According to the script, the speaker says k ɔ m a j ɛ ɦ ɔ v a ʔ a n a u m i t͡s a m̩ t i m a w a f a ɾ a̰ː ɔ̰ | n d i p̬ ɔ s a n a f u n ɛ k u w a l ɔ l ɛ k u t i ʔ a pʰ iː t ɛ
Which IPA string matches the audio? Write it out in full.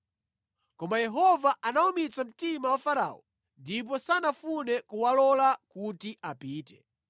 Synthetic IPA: k ɔ m a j ɛ ɦ ɔ v a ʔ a n a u m i t͡s a m̩ t i m a w a f a ɾ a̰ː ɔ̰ | n d i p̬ ɔ s a n a f u n ɛ k u w a l ɔ l a k u t i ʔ a p iː t ɛ